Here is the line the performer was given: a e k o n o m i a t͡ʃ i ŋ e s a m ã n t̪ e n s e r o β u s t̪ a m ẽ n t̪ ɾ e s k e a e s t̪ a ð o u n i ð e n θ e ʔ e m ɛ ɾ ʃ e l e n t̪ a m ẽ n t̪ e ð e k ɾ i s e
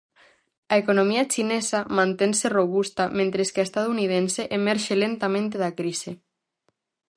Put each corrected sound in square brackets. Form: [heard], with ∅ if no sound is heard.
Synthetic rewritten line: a e k o n o m i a t͡ʃ i [n] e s a m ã n t̪ e n s e r o β u s t̪ a m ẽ n t̪ ɾ e s k e a e s t̪ a ð o u n i ð e n [s] e ʔ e m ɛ ɾ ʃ e l e n t̪ a m ẽ n t̪ e ð [a] k ɾ i s e

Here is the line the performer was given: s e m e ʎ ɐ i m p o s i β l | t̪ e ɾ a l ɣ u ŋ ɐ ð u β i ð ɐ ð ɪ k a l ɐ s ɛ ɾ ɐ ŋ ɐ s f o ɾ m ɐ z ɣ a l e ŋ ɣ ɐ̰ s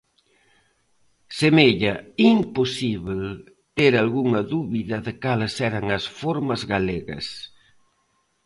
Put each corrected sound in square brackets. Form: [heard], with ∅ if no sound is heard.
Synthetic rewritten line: s e m e ʎ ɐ i m p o s i β l | t̪ e ɾ a l ɣ u ŋ ɐ ð u β i ð ɐ ð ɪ k a l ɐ s ɛ ɾ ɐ ŋ ɐ s f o ɾ m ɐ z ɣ a l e [∅] ɣ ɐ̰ s

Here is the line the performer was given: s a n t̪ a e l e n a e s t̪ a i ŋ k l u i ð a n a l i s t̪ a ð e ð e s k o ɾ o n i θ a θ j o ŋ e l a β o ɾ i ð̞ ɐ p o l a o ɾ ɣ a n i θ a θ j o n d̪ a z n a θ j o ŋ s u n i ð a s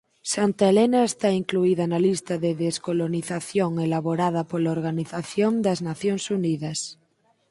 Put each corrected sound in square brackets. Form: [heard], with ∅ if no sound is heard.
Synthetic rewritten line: s a n t̪ a e l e n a e s t̪ a i ŋ k l u i ð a n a l i s t̪ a ð e ð e s k o [l] o n i θ a θ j o ŋ e l a β o ɾ [a] ð̞ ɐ p o l a o ɾ ɣ a n i θ a θ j o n d̪ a z n a θ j o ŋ s u n i ð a s

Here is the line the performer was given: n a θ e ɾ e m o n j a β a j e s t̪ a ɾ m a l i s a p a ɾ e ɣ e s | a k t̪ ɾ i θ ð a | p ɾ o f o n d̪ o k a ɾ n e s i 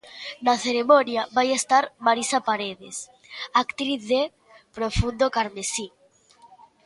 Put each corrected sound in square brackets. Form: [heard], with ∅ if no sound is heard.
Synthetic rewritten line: n a θ e ɾ e m o n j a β a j e s t̪ a ɾ m a [ɾ] i s a p a ɾ e [ð] e s | a k t̪ ɾ i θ ð [e] | p ɾ o f [u] n d̪ o k a ɾ [m] e s i

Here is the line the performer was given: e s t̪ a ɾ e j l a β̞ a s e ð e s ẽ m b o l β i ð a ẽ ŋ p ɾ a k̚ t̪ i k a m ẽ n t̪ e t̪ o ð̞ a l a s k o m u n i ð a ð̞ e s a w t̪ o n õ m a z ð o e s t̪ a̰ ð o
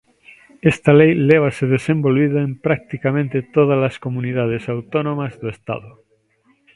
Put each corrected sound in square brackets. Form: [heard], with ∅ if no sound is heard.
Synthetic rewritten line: e s t̪ a [l] e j l [e] β̞ a s e ð e s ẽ m b o l β i ð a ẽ [m] p ɾ a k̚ t̪ i k a m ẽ n t̪ e t̪ o ð̞ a l a s k o m u n i ð a ð̞ e s a w t̪ o n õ m a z ð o e s t̪ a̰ ð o

